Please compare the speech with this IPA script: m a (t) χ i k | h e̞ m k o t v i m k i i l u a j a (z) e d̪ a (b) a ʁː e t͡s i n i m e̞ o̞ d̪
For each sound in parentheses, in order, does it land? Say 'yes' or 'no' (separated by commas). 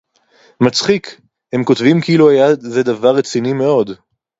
no, yes, no